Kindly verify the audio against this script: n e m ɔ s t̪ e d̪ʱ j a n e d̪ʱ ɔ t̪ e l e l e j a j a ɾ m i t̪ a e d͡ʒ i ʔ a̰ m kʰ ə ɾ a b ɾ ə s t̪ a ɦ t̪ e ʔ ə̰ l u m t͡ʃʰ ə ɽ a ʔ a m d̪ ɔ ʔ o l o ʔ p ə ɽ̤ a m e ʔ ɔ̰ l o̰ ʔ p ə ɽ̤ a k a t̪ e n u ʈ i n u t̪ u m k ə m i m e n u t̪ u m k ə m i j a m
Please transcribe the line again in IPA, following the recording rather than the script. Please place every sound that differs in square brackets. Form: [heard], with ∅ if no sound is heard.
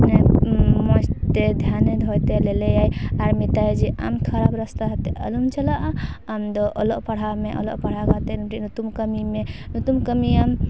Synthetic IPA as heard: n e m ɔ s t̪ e d̪ʱ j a n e d̪ʱ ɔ t̪ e l e l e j a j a ɾ m i t̪ a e d͡ʒ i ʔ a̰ m kʰ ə ɾ a b ɾ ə s t̪ a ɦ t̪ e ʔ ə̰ l u m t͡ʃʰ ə [l] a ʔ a m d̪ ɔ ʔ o l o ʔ p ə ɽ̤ a m e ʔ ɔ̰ l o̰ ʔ p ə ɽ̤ a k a t̪ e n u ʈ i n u t̪ u m k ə m i m e n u t̪ u m k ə m i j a m